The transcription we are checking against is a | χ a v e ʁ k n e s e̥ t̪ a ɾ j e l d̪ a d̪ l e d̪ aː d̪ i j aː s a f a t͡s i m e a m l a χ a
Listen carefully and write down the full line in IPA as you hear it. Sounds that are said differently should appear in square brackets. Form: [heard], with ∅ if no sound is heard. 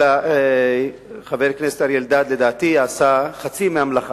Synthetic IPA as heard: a | χ a v e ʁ k n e s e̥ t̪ a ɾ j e l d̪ a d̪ l e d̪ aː [t̪] i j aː s a [χ] a t͡s i m e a m l a χ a